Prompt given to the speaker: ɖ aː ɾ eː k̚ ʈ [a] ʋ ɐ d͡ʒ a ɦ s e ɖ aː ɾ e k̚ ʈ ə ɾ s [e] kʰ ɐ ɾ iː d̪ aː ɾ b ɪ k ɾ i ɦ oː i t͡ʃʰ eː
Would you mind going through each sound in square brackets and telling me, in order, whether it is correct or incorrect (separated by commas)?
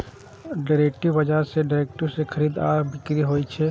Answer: incorrect, correct